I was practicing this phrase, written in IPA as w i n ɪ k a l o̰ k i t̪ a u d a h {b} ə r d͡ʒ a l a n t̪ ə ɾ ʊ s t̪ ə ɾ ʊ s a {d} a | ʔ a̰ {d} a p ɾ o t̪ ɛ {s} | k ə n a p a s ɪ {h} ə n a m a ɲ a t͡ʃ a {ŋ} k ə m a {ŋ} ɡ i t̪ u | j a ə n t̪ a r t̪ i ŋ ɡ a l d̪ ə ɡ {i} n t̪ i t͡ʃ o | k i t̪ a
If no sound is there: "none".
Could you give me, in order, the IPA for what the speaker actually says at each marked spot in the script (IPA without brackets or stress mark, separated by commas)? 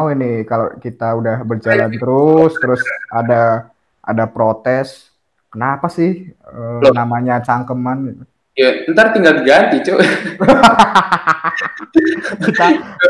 b, d, d, s, h, ŋ, n, a